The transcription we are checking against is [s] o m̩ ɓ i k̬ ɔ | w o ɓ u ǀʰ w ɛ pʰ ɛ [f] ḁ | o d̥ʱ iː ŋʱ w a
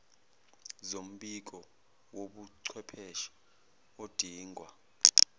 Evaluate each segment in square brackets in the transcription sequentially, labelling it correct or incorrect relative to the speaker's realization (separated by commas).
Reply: incorrect, incorrect